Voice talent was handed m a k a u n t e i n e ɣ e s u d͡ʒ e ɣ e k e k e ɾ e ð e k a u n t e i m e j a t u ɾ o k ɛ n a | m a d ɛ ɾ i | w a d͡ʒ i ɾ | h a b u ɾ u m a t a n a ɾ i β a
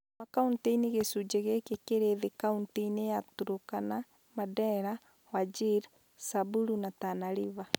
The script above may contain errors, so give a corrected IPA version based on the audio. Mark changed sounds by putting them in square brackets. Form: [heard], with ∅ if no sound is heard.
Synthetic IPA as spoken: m a k a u n t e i n e ɣ e s u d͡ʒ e ɣ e k e k e ɾ e ð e k a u n t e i [n] e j a t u ɾ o k [a] n a | m a d ɛ ɾ [a] | w a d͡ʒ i ɾ | [s] a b u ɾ u [n] a t a n a ɾ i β a